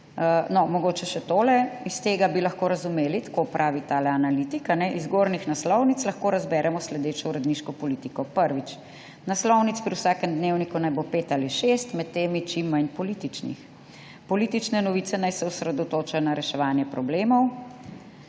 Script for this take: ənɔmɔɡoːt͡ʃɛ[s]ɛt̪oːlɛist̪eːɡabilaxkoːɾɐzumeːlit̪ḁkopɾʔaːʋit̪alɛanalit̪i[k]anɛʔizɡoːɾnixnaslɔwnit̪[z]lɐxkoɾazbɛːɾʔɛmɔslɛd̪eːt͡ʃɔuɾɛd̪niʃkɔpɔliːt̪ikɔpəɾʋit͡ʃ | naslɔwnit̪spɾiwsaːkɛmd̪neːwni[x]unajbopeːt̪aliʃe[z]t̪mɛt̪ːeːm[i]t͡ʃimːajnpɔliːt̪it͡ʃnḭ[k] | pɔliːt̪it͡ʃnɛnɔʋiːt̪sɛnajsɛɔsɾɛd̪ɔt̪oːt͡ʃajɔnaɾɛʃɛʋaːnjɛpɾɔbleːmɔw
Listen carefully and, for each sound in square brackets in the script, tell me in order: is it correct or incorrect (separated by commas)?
incorrect, correct, incorrect, incorrect, incorrect, correct, incorrect